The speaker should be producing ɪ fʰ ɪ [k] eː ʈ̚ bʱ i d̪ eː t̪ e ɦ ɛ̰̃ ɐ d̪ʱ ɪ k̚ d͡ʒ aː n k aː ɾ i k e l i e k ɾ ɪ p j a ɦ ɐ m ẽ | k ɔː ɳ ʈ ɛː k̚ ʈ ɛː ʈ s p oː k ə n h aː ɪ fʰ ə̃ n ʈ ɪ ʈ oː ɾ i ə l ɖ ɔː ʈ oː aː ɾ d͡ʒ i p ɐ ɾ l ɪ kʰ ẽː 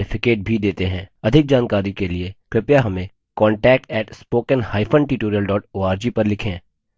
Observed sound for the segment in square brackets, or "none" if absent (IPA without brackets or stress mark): k